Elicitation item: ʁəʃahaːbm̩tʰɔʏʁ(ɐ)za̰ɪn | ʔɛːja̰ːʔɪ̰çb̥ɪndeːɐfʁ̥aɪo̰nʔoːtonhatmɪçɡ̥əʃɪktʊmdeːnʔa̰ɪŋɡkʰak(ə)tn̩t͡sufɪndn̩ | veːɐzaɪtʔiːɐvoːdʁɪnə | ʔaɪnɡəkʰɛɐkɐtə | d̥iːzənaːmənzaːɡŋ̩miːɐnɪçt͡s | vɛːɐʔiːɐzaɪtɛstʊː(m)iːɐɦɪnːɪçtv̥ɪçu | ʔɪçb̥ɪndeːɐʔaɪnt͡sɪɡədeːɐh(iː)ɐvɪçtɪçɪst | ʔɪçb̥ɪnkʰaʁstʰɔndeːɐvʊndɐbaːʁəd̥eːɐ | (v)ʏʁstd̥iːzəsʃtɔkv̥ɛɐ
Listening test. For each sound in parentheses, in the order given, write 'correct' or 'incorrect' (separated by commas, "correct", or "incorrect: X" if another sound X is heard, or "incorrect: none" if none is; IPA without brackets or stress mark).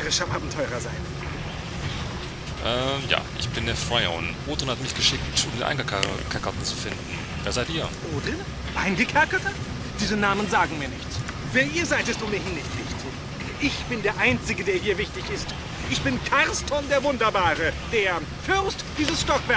correct, incorrect: ɐ, correct, correct, incorrect: f